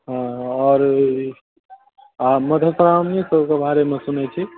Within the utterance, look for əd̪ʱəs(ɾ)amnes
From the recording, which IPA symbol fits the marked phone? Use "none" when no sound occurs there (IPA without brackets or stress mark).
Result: ɾ